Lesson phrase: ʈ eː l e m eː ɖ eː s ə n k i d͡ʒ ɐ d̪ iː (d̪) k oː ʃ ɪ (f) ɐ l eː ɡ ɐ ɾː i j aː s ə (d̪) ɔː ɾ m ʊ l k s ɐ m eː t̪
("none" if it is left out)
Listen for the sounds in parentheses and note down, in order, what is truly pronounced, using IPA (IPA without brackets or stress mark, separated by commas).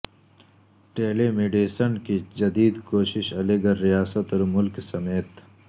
d̪, ʃ, t̪